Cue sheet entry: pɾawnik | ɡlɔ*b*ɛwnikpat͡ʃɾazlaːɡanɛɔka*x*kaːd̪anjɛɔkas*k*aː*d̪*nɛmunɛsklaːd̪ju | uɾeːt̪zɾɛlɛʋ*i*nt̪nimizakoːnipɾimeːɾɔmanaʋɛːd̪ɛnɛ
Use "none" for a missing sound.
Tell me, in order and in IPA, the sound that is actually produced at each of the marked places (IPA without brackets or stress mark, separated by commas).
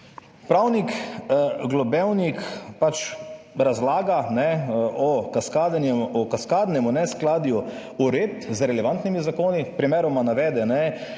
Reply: b, s, k, d̪, a